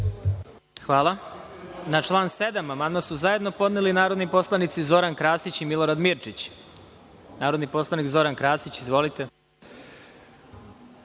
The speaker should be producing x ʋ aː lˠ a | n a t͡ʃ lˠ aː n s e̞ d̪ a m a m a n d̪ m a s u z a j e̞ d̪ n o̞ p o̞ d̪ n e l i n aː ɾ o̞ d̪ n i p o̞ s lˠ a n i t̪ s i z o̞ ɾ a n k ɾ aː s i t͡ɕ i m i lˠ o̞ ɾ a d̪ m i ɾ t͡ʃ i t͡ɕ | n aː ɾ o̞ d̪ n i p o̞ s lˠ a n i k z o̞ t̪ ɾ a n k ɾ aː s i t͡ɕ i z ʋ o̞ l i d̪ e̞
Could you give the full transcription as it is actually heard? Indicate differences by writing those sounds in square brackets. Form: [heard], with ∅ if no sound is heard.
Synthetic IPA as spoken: x ʋ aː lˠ a | n a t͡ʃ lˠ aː n s e̞ d̪ a m a m a n d̪ m a s u z a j e̞ d̪ n o̞ p o̞ d̪ n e l i n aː ɾ o̞ d̪ n i p o̞ s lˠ a n i t̪ s i z o̞ ɾ a n k ɾ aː s i t͡ɕ i m i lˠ o̞ ɾ a d̪ m i ɾ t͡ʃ i t͡ɕ | n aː ɾ o̞ d̪ n i p o̞ s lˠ a n i k z o̞ [∅] ɾ a n k ɾ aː s i t͡ɕ i z ʋ o̞ l i [t̪] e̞